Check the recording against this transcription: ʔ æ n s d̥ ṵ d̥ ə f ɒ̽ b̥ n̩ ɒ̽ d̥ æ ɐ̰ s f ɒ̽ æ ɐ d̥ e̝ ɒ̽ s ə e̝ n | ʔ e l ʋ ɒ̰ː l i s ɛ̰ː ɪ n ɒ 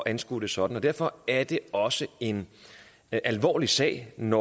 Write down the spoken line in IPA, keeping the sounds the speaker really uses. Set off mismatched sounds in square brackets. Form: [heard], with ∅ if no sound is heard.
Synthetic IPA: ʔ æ n s [ɡ̥] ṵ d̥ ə [s] ɒ̽ [d̥] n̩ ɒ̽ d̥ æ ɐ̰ [∅] f ɒ̽ æ ɐ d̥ e̝ ɒ̽ s ə e̝ n | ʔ [æ] l ʋ ɒ̰ː l i s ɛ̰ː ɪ n ɒ